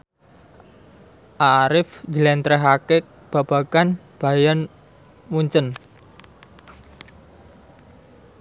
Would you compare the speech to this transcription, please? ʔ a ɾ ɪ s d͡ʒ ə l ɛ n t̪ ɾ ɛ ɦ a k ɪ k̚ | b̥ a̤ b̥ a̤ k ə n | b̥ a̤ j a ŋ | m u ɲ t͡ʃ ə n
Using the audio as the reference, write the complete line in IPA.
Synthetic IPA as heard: ʔ a ɾ ɪ f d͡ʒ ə l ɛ n t̪ ɾ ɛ ɦ a k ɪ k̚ | b̥ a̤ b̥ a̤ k a n | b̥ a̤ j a n | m u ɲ t͡ʃ ə n